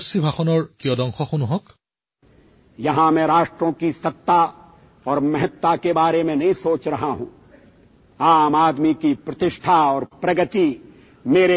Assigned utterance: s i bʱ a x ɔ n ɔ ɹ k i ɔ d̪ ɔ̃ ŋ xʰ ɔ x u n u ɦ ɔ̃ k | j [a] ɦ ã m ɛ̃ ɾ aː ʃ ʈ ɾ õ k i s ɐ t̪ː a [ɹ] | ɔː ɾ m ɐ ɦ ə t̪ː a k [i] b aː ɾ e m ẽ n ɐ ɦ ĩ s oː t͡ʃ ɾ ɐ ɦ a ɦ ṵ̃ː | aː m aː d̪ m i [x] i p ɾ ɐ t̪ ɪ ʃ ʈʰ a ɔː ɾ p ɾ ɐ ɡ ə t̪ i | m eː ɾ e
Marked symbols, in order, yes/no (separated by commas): no, no, no, no